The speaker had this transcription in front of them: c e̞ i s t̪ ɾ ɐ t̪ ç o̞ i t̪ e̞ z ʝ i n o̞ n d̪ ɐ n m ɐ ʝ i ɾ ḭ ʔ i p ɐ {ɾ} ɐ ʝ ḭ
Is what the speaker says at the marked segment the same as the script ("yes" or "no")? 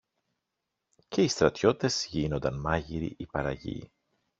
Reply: yes